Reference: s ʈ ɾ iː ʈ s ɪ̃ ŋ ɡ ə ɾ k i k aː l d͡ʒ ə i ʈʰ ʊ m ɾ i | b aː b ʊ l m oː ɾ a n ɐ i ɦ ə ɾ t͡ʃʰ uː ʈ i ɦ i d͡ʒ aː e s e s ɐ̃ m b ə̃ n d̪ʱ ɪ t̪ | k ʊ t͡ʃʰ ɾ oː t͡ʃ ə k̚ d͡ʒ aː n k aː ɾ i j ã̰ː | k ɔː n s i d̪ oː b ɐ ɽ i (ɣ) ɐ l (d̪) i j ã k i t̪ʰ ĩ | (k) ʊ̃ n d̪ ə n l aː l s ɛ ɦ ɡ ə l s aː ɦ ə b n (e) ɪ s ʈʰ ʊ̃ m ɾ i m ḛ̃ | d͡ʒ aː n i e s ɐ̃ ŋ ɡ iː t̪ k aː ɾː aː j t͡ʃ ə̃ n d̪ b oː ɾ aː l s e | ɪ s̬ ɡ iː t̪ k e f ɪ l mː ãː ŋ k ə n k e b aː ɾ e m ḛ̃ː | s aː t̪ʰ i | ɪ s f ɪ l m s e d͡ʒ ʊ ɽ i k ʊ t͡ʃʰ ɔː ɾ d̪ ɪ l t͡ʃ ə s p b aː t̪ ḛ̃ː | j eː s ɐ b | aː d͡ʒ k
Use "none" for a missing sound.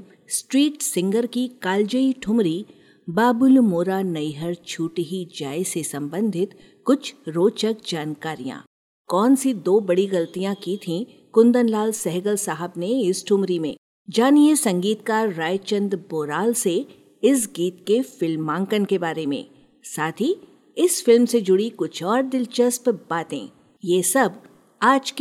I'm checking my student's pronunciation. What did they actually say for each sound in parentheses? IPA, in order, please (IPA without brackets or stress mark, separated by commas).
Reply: ɣ, t̪, k, e